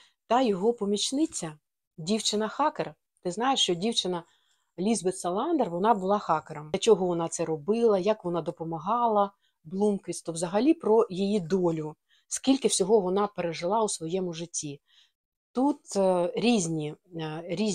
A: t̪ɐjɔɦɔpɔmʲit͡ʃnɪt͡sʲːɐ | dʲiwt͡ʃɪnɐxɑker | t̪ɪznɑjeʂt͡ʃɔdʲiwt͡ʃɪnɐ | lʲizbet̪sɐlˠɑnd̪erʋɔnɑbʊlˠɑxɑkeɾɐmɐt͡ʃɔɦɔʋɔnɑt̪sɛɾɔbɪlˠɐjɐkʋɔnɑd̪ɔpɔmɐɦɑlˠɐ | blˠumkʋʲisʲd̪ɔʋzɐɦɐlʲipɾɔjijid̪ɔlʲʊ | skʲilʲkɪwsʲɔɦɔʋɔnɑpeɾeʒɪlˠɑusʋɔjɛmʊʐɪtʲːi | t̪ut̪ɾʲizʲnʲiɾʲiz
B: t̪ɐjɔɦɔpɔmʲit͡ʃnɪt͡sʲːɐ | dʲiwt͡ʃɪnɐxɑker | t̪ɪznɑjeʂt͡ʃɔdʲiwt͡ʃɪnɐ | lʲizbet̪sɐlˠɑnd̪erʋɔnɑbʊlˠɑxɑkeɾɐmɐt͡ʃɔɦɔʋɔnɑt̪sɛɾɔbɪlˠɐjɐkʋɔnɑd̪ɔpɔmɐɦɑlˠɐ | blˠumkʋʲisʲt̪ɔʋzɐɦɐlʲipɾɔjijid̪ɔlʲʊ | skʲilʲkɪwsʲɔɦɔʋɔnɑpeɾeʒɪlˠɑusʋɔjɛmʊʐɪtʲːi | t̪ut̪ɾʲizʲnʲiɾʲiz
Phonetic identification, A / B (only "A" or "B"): B